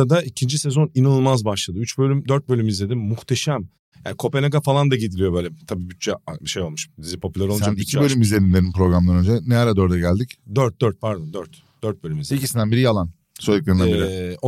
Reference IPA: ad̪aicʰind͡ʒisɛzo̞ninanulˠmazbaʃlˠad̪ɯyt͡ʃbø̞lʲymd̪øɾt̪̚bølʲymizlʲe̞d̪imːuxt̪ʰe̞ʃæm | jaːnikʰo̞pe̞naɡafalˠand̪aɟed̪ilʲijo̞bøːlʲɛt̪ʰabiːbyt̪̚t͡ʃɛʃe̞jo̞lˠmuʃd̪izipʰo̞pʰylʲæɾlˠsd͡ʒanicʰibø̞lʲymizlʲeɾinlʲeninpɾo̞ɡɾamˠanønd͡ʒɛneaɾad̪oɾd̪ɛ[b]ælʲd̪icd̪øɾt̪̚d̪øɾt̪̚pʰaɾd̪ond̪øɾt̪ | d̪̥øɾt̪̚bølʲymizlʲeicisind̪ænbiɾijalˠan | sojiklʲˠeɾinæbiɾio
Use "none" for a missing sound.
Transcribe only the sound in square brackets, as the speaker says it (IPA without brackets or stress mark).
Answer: ɟ